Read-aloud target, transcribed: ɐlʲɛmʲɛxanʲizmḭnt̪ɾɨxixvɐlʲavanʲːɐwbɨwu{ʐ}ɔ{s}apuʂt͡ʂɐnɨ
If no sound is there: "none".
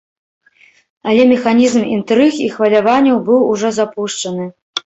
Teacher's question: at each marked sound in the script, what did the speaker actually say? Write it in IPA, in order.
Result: ʐ, z

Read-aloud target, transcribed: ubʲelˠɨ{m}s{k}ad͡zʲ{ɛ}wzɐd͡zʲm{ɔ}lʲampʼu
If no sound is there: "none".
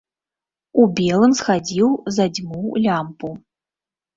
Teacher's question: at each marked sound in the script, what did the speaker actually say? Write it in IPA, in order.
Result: m, x, i, u

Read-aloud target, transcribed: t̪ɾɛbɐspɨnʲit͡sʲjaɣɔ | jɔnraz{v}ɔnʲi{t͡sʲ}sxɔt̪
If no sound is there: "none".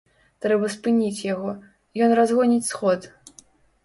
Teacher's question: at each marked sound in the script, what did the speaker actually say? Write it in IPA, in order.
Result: ɣ, t͡sʲ

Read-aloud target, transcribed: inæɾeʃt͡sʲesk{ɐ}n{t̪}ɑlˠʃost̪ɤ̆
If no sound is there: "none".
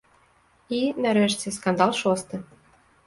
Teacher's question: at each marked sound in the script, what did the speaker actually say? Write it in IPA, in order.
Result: ɑ, d̪

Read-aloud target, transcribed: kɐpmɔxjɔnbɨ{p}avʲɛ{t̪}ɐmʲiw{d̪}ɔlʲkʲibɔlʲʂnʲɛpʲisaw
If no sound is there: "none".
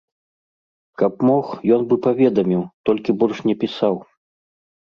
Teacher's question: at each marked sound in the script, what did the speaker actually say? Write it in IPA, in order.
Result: p, d̪, t̪

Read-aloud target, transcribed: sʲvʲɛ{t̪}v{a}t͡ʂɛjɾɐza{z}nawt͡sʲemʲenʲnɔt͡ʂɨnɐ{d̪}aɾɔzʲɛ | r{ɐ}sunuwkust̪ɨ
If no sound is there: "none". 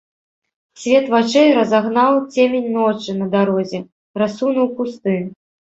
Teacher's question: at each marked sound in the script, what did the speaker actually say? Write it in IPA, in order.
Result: t̪, a, ɣ, d̪, a

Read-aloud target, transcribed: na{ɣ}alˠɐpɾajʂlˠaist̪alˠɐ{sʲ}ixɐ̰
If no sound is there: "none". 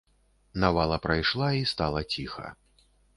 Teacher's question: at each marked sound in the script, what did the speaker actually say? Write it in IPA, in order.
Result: v, t͡sʲ

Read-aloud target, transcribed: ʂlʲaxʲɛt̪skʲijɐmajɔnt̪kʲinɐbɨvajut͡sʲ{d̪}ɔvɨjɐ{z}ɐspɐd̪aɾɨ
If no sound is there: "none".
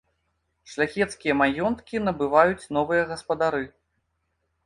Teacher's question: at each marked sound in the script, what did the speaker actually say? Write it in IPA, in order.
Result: n̪, ɣ

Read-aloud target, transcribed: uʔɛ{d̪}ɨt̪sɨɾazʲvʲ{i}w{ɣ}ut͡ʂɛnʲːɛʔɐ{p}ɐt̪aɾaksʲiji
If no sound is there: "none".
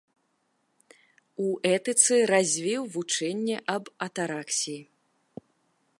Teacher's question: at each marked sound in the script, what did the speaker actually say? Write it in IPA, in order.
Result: t̪, i, v, b

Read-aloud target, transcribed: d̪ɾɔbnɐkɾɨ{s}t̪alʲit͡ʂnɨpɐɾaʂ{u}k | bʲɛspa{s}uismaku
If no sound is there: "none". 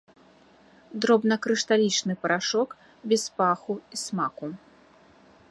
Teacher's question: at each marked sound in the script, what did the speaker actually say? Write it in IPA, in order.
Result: ʂ, ɔ, x

